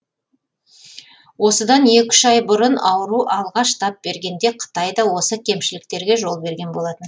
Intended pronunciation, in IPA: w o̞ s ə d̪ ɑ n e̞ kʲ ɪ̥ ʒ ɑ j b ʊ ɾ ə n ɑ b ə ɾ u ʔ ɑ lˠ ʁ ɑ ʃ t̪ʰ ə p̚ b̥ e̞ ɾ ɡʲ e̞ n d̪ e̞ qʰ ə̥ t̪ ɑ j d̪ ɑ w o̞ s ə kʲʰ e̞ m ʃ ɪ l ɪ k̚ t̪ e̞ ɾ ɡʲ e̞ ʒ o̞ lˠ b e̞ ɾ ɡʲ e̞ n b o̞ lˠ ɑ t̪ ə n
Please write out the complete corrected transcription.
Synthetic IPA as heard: w o̞ s ə d̪ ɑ n e̞ kʲ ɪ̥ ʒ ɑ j b ʊ ɾ ə n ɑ w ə ɾ u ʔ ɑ lˠ ʁ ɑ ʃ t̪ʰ ɑ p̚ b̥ e̞ ɾ ɡʲ e̞ n d̪ e̞ qʰ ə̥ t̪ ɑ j d̪ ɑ w o̞ s ə kʲʰ e̞ m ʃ ɪ l ɪ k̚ t̪ e̞ ɾ ɡʲ e̞ ʒ o̞ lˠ b e̞ ɾ ɡʲ e̞ n b o̞ lˠ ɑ t̪ ə n